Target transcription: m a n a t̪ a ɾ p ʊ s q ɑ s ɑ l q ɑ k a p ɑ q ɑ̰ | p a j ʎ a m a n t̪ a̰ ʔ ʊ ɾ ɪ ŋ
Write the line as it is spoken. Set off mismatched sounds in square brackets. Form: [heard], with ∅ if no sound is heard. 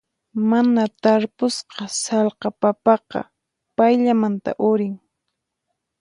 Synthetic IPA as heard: m a n a t̪ a ɾ p ʊ s q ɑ s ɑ l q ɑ [p] a p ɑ q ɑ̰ | p a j ʎ a m a n t̪ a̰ ʔ ʊ ɾ ɪ ŋ